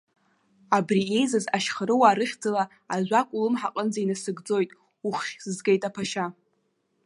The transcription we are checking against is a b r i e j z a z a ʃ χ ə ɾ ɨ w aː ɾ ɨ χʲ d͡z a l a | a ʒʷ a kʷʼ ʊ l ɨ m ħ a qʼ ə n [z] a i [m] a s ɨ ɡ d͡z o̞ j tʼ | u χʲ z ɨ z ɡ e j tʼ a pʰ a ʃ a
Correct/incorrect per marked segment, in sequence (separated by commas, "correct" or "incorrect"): incorrect, incorrect